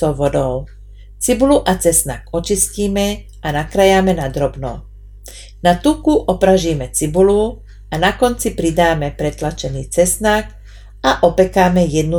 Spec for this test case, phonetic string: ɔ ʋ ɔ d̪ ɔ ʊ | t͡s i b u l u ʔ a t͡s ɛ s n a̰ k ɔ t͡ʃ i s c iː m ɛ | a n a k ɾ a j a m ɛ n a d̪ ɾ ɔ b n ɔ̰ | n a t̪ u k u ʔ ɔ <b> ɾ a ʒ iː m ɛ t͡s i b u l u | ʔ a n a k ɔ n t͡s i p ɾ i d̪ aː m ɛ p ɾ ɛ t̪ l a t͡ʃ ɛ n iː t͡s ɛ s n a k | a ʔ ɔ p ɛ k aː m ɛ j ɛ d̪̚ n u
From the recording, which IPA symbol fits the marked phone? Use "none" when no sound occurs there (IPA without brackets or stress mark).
p